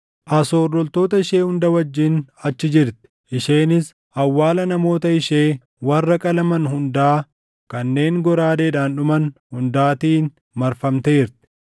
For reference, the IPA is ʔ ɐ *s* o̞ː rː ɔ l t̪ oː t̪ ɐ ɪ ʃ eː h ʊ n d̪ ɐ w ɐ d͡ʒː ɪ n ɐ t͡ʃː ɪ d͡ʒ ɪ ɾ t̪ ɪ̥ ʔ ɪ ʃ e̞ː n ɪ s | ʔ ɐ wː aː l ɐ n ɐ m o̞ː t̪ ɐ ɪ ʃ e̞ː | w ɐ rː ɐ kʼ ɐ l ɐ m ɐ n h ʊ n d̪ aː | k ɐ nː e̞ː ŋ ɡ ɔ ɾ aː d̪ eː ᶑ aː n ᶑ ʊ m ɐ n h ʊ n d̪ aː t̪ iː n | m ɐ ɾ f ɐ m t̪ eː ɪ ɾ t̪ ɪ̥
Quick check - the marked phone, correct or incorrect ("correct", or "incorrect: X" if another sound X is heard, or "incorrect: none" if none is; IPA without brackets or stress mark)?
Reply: correct